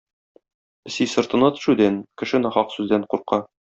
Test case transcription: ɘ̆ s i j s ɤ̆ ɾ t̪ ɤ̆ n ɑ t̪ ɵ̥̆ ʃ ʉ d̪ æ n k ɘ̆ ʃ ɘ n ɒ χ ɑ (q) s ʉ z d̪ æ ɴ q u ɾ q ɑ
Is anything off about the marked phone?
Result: no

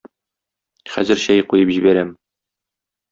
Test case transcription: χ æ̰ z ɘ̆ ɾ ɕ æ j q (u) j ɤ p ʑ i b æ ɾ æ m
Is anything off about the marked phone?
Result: no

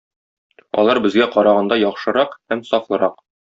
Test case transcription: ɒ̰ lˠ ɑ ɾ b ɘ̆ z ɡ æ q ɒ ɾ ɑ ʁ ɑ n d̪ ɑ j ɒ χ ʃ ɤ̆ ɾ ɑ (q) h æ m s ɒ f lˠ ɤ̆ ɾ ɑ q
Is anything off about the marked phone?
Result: no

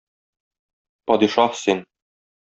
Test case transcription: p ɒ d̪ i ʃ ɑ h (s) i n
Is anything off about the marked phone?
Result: no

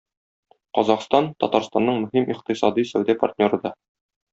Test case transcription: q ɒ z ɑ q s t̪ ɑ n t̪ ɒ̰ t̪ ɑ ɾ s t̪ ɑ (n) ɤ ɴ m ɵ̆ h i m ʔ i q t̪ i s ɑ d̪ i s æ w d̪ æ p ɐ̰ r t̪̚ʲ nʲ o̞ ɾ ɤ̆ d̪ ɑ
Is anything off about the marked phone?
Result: yes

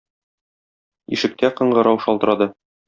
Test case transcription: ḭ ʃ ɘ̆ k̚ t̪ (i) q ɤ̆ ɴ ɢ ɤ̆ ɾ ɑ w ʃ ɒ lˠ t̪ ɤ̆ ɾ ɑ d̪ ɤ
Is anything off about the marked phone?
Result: yes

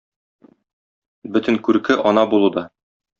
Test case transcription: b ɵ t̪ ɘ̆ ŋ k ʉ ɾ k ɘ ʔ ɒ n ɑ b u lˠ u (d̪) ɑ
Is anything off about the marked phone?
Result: no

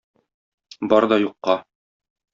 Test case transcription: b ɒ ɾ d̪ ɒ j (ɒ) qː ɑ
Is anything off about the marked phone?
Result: yes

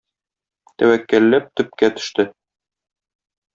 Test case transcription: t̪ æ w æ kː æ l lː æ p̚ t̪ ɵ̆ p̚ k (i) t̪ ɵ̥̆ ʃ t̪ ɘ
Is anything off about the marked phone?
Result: yes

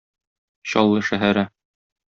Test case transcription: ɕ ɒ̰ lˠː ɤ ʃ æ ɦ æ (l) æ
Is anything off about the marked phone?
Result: yes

